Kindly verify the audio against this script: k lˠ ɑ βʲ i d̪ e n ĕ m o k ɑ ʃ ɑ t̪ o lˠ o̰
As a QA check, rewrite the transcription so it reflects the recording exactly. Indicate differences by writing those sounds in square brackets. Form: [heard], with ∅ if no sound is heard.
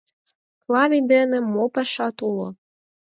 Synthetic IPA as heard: k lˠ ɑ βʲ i d̪ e n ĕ m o [p] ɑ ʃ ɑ t̪ [u] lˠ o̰